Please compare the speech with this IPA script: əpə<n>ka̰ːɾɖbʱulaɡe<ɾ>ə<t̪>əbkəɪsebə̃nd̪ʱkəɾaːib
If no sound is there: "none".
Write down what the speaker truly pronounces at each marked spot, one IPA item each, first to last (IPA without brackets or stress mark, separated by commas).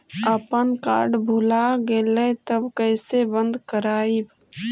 n, l, t̪